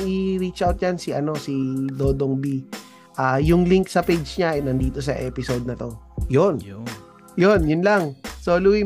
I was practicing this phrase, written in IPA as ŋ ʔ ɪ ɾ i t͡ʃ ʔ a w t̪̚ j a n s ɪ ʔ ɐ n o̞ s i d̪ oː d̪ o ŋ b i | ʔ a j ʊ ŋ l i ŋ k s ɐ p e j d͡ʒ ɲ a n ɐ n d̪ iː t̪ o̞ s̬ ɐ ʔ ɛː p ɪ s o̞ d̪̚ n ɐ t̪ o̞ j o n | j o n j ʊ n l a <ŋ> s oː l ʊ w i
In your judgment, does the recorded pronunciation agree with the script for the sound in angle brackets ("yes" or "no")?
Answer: yes